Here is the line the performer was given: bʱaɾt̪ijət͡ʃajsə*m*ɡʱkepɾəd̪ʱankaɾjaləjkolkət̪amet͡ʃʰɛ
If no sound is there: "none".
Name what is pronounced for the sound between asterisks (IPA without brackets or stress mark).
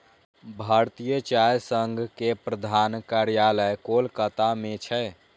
ŋ